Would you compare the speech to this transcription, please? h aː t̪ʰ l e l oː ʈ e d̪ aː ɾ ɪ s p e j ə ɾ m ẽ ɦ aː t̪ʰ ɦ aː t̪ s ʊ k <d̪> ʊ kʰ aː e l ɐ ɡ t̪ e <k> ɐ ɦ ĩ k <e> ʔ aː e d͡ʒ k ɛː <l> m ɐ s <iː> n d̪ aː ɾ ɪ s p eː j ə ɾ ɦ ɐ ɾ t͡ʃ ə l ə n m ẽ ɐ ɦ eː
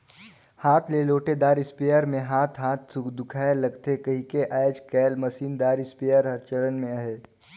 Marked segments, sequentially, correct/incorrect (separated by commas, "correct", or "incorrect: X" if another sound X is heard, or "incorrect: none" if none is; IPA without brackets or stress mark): correct, correct, correct, correct, correct